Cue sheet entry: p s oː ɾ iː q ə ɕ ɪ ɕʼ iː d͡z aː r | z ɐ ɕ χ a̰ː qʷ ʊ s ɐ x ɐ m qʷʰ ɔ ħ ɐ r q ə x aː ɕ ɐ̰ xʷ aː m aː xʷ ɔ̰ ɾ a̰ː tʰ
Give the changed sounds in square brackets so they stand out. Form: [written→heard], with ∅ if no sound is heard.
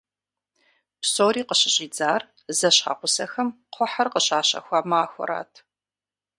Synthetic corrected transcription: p s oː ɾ iː q ə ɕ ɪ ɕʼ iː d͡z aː r | z ɐ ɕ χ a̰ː qʷ ʊ s ɐ x ɐ m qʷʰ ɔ ħ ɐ r q ə [x→ɕ] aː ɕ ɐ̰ xʷ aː m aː xʷ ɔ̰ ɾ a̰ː tʰ